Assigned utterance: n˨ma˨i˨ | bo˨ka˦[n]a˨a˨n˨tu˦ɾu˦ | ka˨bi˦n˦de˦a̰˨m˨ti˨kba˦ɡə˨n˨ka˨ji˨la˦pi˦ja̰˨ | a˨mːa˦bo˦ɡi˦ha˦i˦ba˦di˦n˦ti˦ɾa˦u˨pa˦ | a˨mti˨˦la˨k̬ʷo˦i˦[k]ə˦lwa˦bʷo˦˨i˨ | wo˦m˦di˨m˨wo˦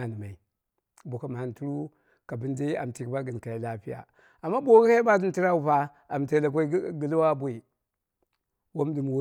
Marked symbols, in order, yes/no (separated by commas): no, no